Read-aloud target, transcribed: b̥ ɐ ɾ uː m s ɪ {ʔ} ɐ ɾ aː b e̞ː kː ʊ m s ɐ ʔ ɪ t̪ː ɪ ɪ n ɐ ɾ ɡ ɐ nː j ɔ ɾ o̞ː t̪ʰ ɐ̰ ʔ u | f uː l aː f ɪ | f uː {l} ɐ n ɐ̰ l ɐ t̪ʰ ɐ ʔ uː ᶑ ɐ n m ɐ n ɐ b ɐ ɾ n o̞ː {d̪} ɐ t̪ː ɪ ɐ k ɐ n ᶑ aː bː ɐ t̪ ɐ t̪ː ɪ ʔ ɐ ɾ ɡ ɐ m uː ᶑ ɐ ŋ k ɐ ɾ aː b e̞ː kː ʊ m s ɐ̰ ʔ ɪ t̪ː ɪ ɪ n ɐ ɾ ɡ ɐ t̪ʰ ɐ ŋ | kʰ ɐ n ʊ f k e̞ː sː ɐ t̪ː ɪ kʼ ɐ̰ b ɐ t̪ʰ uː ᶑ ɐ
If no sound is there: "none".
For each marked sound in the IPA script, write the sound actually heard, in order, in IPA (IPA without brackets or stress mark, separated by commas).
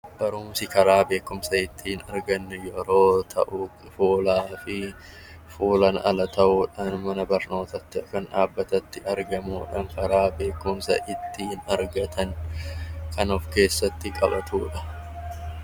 k, l, t̪